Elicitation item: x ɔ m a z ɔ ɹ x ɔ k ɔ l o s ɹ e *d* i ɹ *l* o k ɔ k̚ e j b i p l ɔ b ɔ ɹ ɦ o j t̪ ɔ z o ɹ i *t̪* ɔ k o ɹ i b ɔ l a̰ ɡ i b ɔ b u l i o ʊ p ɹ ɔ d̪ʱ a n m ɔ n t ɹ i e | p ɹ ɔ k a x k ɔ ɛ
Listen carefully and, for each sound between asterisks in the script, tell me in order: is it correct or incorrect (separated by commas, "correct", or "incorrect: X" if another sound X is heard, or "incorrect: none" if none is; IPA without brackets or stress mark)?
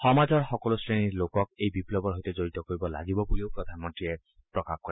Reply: incorrect: n, correct, correct